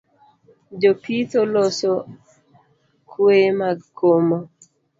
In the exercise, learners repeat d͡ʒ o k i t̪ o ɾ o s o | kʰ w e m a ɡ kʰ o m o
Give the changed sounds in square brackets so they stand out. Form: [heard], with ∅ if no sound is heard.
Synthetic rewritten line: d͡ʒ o [p] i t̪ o [l] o s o | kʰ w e m a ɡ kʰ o m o